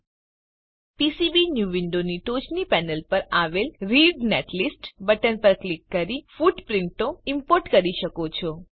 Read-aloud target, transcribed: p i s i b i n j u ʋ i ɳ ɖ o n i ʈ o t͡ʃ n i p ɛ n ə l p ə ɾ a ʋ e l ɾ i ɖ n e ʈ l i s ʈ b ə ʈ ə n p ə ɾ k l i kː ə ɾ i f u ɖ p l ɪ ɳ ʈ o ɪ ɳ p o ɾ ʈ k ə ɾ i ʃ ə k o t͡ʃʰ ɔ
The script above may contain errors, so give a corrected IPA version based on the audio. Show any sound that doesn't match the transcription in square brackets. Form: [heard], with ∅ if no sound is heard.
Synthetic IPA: p i s i b i n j u ʋ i ɳ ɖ o n i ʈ o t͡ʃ n i p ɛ n ə l p ə ɾ a ʋ e l ɾ i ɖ n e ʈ l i s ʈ b ə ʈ ə n p ə ɾ k l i kː ə ɾ i f u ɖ p [ɾ] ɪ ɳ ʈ o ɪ [m] p o ɾ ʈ k ə ɾ i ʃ ə k o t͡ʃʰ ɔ